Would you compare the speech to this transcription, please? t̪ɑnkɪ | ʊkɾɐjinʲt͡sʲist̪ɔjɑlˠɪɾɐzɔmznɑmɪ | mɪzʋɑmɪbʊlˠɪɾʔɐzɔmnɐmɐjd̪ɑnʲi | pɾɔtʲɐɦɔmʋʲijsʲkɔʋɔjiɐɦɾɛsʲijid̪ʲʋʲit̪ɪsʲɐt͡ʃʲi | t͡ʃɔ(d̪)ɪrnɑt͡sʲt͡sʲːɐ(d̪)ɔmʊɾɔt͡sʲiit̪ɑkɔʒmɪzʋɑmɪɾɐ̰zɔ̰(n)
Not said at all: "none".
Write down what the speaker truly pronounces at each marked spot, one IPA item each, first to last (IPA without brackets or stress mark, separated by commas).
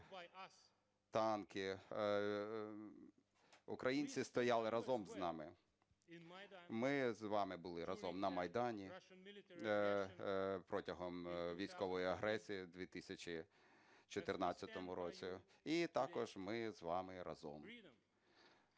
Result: t̪, t̪, m